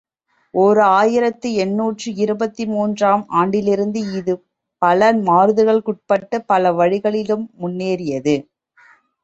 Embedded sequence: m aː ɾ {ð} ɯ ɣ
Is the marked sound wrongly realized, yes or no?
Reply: no